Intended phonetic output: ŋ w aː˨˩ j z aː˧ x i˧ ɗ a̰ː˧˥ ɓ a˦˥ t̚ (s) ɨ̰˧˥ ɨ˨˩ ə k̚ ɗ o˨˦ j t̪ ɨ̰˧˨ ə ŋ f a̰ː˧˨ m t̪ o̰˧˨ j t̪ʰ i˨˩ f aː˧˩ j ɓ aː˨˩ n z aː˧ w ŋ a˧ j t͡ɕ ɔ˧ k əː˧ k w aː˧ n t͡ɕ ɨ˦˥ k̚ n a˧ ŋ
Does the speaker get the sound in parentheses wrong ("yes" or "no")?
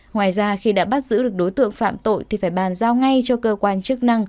yes